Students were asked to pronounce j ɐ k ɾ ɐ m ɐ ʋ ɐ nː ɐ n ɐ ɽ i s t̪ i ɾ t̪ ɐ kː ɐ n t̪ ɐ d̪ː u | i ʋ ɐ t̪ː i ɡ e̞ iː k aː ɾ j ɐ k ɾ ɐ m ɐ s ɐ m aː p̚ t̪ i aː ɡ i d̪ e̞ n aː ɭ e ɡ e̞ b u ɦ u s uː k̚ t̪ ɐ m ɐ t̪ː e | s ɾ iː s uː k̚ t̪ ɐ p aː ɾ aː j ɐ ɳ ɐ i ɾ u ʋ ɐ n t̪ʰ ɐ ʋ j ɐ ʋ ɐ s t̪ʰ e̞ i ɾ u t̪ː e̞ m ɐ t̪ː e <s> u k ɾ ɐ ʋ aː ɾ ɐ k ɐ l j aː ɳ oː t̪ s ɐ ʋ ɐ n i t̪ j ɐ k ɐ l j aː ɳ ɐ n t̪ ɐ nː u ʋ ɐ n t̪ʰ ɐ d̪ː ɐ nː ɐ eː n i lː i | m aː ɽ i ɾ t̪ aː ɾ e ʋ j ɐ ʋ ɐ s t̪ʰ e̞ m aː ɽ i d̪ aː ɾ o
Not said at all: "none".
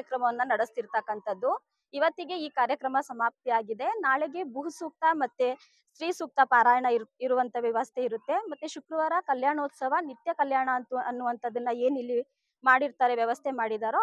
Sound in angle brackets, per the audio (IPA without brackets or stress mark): ʃ